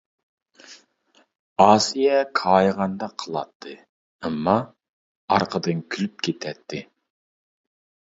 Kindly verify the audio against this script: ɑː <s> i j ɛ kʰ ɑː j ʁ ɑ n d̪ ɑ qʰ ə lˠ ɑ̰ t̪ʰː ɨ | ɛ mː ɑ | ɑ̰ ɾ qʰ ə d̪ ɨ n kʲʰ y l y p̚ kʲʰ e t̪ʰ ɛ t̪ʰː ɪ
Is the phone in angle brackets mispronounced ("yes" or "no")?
no